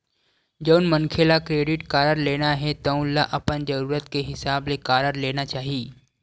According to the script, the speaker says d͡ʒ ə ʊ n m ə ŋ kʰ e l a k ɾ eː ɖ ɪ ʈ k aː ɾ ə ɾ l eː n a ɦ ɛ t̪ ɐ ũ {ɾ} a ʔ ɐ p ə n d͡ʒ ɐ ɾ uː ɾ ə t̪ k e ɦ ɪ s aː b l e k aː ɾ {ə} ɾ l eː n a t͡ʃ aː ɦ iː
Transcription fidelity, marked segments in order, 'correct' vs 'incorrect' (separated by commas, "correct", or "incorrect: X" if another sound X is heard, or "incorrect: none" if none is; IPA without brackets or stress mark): incorrect: l, correct